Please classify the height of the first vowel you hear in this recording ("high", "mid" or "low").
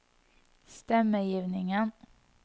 mid